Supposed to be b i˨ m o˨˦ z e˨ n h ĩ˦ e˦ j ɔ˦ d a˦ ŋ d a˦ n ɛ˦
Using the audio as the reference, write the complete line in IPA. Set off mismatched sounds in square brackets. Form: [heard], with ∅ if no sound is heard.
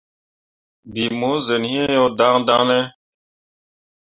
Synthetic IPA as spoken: b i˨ m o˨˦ z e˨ n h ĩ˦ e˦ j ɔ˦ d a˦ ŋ d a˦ n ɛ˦